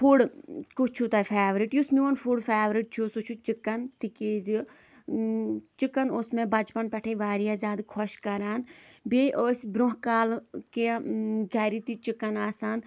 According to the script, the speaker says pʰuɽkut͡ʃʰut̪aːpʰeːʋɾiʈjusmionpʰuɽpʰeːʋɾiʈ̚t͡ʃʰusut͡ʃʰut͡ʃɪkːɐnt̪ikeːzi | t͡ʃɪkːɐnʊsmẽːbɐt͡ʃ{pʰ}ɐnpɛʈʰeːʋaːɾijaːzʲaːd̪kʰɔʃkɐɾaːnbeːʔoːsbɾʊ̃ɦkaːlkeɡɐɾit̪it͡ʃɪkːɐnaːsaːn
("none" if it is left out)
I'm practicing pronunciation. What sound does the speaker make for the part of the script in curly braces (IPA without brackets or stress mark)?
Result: p